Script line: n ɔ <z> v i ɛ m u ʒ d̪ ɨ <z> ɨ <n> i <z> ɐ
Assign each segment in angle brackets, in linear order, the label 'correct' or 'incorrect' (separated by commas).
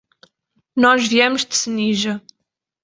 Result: incorrect, incorrect, correct, incorrect